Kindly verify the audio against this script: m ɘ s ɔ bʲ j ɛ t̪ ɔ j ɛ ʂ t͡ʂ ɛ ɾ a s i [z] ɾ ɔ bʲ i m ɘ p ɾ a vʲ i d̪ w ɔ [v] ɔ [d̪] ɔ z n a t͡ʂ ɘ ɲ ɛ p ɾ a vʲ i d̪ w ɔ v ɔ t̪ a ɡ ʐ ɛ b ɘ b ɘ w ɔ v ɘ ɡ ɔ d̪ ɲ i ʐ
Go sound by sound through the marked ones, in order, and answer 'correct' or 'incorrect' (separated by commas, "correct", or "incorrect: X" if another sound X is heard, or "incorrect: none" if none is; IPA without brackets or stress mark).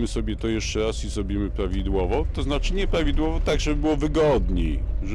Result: correct, correct, incorrect: t̪